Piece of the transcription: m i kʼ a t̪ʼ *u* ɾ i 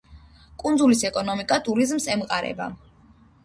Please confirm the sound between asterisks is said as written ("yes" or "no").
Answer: yes